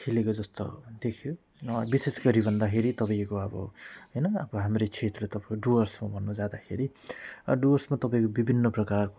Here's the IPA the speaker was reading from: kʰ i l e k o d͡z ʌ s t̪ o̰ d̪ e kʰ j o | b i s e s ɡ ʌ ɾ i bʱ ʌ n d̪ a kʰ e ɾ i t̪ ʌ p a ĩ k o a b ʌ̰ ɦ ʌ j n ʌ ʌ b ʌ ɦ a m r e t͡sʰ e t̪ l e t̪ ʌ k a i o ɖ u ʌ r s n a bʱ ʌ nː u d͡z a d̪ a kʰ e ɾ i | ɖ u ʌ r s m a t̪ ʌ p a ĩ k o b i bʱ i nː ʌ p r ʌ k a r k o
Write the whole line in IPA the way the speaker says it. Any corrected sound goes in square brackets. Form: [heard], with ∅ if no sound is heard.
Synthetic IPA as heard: kʰ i l e k o d͡z ʌ s t̪ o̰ d̪ e kʰ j o | b i s e s ɡ ʌ ɾ i bʱ ʌ n d̪ a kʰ e ɾ i t̪ ʌ p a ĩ k o [ʌ] b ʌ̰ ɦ ʌ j n ʌ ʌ b ʌ ɦ a m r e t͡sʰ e t̪ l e t̪ ʌ [p] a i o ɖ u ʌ r s [m] a bʱ ʌ nː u d͡z a d̪ a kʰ e ɾ i | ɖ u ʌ r s m a t̪ ʌ p a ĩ k o b i bʱ i nː ʌ p r ʌ k a r k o